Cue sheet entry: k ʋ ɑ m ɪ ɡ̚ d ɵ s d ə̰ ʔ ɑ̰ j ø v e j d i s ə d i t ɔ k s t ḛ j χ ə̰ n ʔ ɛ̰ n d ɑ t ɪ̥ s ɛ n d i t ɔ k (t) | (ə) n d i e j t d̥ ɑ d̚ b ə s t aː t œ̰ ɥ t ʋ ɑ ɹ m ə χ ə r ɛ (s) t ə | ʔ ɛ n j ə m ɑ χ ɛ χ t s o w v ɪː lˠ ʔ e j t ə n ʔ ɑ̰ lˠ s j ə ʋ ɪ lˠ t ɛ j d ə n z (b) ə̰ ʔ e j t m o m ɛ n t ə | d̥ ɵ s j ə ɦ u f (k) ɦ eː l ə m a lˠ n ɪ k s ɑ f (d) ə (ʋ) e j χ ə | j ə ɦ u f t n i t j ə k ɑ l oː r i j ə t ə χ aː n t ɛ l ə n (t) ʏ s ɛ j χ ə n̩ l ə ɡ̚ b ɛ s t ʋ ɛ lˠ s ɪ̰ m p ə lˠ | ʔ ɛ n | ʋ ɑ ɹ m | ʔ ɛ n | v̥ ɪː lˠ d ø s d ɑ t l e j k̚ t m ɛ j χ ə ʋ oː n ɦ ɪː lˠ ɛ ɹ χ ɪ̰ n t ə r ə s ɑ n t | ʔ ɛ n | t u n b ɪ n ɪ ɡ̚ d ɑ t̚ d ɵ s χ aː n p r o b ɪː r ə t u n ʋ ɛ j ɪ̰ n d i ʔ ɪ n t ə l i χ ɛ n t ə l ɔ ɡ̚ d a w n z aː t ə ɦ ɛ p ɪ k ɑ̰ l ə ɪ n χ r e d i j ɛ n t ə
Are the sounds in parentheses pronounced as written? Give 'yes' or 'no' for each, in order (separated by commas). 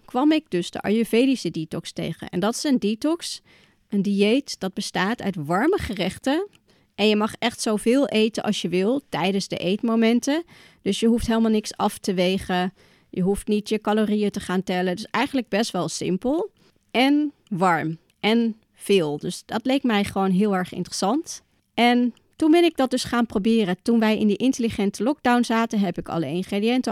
no, yes, no, no, no, no, yes, no